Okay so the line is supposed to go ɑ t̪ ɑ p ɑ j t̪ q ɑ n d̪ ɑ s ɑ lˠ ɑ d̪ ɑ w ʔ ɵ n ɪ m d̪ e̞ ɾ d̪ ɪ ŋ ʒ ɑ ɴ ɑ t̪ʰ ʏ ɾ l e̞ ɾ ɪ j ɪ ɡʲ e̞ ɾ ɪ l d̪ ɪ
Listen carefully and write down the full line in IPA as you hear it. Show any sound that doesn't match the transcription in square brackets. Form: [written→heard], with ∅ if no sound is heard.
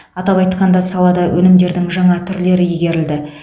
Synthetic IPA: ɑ t̪ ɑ p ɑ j t̪ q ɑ n d̪ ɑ s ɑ lˠ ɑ d̪ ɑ w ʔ ɵ n ɪ m d̪ e̞ ɾ d̪ ɪ ŋ ʒ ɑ ɴ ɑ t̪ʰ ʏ ɾ l e̞ ɾ ɪ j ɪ ɡʲ e̞ ɾ ɪ l d̪ ɪ